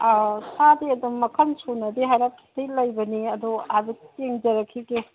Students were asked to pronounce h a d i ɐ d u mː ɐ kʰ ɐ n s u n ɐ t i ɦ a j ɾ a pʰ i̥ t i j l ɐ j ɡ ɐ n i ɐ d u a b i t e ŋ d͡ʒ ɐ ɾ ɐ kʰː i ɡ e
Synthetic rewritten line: s a d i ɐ d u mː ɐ kʰ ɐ n s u n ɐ d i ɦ a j ɾ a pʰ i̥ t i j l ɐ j b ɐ n i ɐ d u a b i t e ŋ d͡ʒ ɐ ɾ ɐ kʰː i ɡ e